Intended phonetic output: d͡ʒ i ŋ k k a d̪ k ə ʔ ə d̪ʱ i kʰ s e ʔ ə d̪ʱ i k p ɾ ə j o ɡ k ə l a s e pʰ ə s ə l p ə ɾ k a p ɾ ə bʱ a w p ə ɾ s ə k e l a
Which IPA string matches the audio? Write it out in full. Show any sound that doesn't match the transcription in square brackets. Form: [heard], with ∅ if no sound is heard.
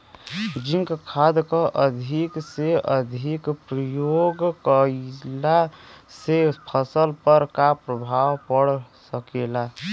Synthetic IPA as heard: d͡ʒ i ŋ k [kʰ] a d̪ k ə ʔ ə d̪ʱ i [k] s e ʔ ə d̪ʱ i k p ɾ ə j o ɡ k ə l a s e pʰ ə s ə l p ə ɾ k a p ɾ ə bʱ a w p ə [ɽ] s ə k e l a

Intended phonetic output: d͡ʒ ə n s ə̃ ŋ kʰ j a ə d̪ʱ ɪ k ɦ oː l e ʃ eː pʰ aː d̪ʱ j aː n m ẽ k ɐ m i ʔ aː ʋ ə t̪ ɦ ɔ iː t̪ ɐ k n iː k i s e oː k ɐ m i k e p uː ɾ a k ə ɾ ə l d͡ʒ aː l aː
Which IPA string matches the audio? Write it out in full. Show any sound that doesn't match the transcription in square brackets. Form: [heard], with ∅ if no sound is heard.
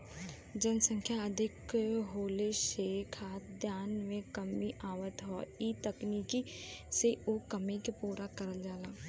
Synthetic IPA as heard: d͡ʒ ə n s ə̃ ŋ kʰ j a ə d̪ʱ ɪ k ɦ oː l e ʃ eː [kʰ] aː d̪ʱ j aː n m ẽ k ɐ m i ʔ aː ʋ ə t̪ ɦ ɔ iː t̪ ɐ k n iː k i s e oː k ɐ m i k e p uː ɾ a k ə ɾ ə l d͡ʒ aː l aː

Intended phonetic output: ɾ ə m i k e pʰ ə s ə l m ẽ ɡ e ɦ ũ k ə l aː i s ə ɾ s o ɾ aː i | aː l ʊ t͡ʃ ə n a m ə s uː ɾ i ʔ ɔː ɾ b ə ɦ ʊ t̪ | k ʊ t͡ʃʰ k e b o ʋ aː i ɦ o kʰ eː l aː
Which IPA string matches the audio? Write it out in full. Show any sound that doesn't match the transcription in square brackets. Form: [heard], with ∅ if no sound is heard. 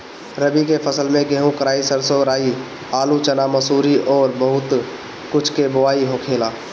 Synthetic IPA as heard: ɾ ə [b] i k e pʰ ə s ə l m ẽ ɡ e ɦ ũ k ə [ɾ] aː i s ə ɾ s o ɾ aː i | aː l [u] t͡ʃ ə n a m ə s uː ɾ i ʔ ɔː ɾ b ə ɦ ʊ t̪ | k ʊ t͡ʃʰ k e b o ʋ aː i ɦ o kʰ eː l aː

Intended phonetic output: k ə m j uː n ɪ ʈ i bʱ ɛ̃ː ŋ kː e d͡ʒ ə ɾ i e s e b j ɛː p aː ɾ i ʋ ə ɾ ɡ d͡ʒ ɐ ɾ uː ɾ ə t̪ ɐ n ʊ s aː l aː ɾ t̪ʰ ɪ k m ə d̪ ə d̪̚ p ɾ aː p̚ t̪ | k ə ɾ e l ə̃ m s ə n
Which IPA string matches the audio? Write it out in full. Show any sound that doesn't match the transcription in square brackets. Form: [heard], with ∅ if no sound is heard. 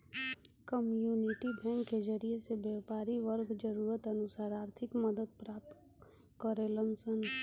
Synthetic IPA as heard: k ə m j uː n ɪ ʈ i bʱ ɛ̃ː ŋ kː e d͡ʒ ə ɾ i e s e b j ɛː p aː ɾ i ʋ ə ɾ ɡ d͡ʒ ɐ ɾ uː ɾ ə t̪ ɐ n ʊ s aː [ɾ] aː ɾ t̪ʰ ɪ k m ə d̪ ə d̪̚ p ɾ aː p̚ t̪ | k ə ɾ e l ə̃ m s ə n

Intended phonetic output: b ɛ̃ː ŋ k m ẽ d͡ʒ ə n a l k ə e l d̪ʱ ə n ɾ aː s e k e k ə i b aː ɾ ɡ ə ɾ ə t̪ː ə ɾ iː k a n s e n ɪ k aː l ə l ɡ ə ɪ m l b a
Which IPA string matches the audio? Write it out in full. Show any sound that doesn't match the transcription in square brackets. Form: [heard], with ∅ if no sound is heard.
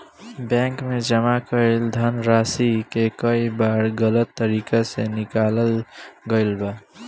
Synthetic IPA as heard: b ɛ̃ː ŋ k m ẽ d͡ʒ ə [m] a [∅] k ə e l d̪ʱ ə n ɾ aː s [i] k e k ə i b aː ɾ ɡ ə [l] ə t̪ː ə ɾ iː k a [∅] s e n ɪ k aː l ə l ɡ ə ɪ [∅] l b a

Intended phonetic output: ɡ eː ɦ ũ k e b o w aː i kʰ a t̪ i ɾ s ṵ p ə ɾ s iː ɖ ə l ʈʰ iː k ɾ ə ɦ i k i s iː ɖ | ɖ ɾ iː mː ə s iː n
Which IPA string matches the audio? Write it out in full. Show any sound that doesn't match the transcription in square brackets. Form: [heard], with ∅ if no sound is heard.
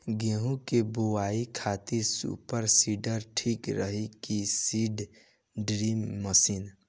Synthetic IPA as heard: ɡ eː ɦ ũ k e b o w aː i kʰ a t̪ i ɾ s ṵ p ə ɾ s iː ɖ ə [ɾ] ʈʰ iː k ɾ ə ɦ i k i s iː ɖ | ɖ ɾ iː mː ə s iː n

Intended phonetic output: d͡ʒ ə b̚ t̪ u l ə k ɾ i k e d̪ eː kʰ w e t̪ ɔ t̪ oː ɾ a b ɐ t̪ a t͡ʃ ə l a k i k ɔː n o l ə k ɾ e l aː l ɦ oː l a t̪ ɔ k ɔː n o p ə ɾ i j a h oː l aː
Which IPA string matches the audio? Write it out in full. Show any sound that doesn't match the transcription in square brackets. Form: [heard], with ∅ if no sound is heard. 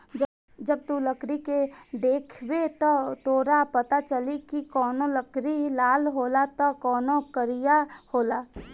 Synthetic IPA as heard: d͡ʒ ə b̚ t̪ u l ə k ɾ i k e d̪ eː kʰ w e t̪ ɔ t̪ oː ɾ a [p] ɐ t̪ a t͡ʃ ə l [i] k i k ɔː n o l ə k ɾ [i] l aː l ɦ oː l a t̪ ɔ k ɔː n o [k] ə ɾ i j a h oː l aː

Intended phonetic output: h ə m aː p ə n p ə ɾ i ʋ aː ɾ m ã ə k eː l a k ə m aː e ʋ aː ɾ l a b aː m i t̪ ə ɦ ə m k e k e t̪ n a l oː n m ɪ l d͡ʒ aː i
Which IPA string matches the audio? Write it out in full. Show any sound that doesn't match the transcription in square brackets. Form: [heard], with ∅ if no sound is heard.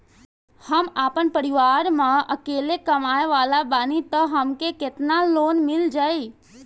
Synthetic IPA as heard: h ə m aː p ə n p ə ɾ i ʋ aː ɾ m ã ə k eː l [e] k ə m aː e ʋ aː [∅] l a b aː [n] i t̪ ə ɦ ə m k e k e t̪ n a l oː n m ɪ l d͡ʒ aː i

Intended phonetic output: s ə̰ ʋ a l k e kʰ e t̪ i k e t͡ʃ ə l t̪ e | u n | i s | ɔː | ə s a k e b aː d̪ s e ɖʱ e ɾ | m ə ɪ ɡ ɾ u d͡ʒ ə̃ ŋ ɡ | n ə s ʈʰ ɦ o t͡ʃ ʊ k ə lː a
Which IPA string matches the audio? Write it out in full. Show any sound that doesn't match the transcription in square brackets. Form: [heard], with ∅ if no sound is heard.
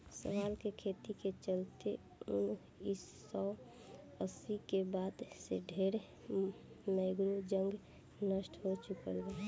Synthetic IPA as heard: s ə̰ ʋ a l k e kʰ e t̪ i k e t͡ʃ ə l t̪ e | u n | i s | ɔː | ə s [i] k e b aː d̪ s e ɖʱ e ɾ | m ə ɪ ɡ ɾ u d͡ʒ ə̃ ŋ ɡ | n ə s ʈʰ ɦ o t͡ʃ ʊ k ə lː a

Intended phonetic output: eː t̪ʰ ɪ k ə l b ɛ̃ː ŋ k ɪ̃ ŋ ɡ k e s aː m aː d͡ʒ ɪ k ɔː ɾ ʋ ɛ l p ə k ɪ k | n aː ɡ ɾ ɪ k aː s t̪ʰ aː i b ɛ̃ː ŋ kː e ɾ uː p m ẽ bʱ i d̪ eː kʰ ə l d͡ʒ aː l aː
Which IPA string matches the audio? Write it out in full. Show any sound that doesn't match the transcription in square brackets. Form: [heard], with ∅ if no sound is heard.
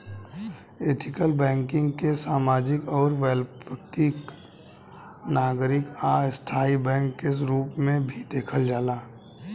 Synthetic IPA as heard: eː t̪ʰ ɪ k ə l b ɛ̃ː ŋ k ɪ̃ ŋ ɡ k e s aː m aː d͡ʒ ɪ k ɔː ɾ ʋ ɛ l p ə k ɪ k | n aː ɡ ɾ ɪ k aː s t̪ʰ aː i b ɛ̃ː ŋ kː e ɾ uː p m ẽ bʱ i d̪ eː kʰ ə l d͡ʒ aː l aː

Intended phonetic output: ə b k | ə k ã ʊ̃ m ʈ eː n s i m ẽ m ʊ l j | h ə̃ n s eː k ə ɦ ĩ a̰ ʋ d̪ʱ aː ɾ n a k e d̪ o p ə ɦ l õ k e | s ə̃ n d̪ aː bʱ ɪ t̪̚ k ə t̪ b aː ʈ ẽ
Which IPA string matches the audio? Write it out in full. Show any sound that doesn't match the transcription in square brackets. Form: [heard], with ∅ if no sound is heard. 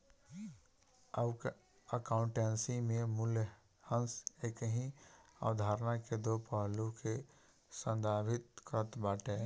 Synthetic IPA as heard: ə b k | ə k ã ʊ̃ [ɳ] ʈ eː n s i m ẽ m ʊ l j | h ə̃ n s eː k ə ɦ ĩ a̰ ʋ d̪ʱ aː ɾ n a k e d̪ o p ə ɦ l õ k e | s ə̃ n d̪ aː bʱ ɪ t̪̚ k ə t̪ b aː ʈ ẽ

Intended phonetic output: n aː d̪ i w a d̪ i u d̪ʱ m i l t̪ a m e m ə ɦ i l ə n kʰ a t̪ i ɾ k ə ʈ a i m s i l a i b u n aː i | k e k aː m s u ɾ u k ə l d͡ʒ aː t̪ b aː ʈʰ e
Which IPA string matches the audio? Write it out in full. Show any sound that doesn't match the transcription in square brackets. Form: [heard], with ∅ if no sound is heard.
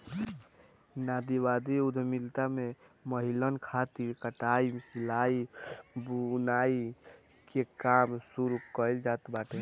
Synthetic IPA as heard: n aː d̪ i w a d̪ i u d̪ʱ m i l t̪ a m e m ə ɦ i l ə n kʰ a t̪ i ɾ k ə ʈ a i m s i l a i b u n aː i | k e k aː m s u ɾ u k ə l d͡ʒ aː t̪ b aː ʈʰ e

